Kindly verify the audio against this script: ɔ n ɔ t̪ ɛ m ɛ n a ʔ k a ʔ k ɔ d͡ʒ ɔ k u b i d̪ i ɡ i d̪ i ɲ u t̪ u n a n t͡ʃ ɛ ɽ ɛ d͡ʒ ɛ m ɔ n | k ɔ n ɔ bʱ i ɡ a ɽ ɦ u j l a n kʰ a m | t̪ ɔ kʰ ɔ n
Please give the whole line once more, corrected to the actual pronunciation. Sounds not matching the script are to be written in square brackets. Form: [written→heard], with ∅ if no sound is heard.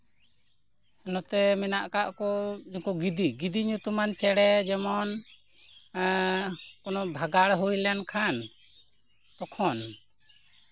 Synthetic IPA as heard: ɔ n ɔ t̪ ɛ m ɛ n a ʔ k a ʔ k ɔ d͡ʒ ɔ k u [b→ɡ] i d̪ i ɡ i d̪ i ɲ u t̪ u [n→m] a n t͡ʃ ɛ ɽ ɛ d͡ʒ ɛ m ɔ n | k ɔ n ɔ bʱ [i→a] ɡ a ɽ ɦ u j l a n kʰ a [m→n] | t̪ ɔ kʰ ɔ n